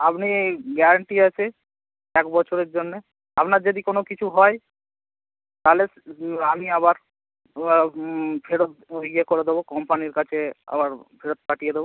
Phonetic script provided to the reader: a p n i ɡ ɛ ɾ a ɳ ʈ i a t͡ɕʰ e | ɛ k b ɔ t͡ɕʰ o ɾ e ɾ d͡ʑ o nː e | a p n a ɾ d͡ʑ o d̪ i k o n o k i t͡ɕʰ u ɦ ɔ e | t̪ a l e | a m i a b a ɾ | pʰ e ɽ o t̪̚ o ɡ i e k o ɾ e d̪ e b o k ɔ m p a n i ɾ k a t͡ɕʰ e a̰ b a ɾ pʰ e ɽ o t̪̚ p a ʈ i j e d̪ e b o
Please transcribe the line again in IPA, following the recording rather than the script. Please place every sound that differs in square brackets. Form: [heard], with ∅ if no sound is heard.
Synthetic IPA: a p n i ɡ ɛ ɾ a ɳ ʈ i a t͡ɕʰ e | ɛ k b ɔ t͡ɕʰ o ɾ e ɾ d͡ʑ o nː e | a p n a ɾ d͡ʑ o d̪ i k o n o k i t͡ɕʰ u ɦ ɔ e | t̪ a l e | a m i a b a ɾ | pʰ e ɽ o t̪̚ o ɡ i e k o ɾ e d̪ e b o k ɔ m p a n i ɾ k a t͡ɕʰ e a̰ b a ɾ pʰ e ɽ o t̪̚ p a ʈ i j e d̪ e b o